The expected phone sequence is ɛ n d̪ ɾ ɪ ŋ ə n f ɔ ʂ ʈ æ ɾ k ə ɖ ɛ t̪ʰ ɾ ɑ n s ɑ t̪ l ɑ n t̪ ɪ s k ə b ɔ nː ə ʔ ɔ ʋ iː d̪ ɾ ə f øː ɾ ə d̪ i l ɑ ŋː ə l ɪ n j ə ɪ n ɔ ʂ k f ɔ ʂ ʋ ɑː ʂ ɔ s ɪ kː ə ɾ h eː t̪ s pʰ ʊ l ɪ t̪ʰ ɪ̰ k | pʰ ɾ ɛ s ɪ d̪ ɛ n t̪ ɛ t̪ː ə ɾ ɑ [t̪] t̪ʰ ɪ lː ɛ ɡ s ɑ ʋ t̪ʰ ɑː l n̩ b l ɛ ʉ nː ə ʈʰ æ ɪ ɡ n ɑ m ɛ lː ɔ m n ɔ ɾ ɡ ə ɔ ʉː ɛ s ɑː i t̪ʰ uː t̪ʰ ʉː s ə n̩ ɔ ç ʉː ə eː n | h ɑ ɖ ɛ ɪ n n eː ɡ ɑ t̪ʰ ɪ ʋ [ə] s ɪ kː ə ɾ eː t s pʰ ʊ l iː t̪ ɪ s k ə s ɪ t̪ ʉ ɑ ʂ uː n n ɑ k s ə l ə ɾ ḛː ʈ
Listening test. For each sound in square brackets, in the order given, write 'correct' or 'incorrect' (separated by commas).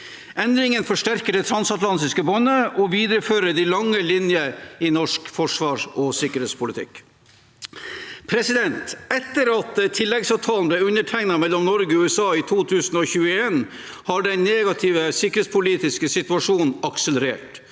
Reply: correct, correct